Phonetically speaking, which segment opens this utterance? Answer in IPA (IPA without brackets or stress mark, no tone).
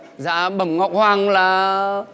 z